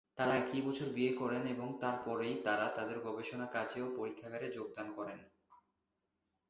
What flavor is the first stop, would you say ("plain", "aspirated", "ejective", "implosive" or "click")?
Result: plain